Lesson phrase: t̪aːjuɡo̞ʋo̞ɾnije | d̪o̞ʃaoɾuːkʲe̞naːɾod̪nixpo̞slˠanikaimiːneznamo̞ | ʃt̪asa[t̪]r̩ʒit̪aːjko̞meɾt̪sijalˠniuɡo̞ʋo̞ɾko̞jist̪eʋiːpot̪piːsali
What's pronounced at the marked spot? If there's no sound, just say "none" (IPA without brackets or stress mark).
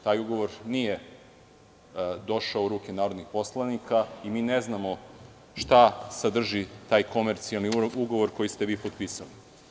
d̪